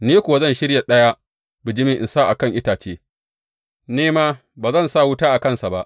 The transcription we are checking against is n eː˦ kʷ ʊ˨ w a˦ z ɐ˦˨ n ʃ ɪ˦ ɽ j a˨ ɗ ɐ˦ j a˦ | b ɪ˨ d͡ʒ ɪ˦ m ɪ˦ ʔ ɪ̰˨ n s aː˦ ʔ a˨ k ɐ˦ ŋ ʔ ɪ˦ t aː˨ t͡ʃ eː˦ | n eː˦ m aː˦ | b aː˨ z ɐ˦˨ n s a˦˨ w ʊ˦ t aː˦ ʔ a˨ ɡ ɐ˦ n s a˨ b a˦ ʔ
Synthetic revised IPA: n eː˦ kʷ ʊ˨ w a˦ z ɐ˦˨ n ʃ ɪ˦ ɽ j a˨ ɗ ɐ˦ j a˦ | b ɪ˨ d͡ʒ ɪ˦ m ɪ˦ ʔ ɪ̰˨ n s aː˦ ʔ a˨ k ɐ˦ ŋ ʔ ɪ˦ t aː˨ t͡ʃ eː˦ | n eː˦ m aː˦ | b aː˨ z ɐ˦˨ n s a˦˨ w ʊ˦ t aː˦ ʔ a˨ k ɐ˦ n s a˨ b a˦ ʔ